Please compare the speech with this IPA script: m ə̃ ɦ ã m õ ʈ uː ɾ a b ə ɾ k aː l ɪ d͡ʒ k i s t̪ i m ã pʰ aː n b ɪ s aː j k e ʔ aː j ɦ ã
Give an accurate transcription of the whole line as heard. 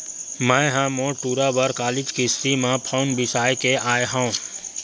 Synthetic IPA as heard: m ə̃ ɦ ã m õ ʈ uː ɾ a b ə ɾ k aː l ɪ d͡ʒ k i s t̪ i m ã pʰ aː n b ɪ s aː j k e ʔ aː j ɦ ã